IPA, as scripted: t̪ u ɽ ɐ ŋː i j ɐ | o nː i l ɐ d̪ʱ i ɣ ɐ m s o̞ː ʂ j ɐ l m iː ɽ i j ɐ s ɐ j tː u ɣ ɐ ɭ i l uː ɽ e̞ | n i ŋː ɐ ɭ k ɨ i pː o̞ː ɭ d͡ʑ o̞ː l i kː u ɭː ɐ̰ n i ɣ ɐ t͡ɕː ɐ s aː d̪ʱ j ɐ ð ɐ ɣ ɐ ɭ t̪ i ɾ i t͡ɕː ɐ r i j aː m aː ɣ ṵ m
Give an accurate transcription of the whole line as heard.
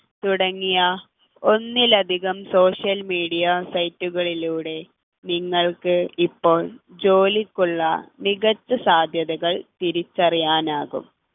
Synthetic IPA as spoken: t̪ u ɽ ɐ ŋː i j ɐ | o nː i l ɐ d̪ʱ i ɣ ɐ m s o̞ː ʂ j ɐ l m iː ɽ i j ɐ s ɐ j tː u ɣ ɐ ɭ i l uː ɽ e̞ | n i ŋː ɐ ɭ k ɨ i pː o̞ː ɭ d͡ʑ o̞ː l i kː u ɭː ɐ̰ n i ɣ ɐ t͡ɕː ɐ s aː d̪ʱ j ɐ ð ɐ ɣ ɐ ɭ t̪ i ɾ i t͡ɕː ɐ r i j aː n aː ɣ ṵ m